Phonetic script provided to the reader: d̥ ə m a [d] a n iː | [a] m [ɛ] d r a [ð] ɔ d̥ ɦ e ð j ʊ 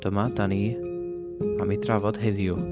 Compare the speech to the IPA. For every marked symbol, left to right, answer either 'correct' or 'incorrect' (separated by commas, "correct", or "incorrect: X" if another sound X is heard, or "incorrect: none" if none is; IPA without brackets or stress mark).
correct, correct, incorrect: i, incorrect: v